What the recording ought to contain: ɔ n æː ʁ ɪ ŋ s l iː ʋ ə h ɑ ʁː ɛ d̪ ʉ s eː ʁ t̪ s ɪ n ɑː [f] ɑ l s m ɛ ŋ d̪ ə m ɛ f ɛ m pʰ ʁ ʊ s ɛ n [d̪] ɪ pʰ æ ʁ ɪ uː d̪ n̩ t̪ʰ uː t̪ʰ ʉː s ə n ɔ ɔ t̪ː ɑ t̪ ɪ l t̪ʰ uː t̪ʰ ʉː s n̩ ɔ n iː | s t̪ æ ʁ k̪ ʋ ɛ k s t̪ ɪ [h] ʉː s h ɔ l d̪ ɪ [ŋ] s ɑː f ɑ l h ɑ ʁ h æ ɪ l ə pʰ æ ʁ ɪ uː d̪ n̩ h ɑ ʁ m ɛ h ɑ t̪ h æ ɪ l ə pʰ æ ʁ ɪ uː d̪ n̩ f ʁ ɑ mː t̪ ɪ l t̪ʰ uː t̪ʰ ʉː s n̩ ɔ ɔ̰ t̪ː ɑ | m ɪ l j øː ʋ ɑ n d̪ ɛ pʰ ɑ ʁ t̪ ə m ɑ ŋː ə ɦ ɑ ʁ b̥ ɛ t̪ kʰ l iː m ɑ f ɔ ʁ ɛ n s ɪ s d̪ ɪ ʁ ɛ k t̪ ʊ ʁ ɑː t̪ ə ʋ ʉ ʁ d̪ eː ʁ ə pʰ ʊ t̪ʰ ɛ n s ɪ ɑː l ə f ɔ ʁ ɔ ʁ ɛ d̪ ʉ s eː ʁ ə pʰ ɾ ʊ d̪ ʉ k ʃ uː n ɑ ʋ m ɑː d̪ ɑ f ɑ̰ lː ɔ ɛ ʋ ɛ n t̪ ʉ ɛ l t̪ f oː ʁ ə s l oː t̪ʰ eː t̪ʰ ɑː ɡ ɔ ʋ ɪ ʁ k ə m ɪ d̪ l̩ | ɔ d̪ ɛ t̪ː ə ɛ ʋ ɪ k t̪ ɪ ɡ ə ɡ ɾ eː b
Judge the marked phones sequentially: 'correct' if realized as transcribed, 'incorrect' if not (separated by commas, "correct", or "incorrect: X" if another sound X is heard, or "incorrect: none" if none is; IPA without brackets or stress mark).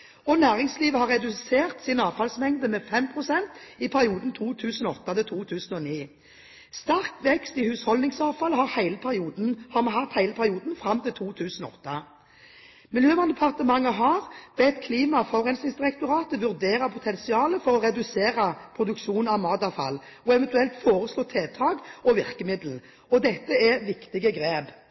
correct, incorrect: t̪, correct, correct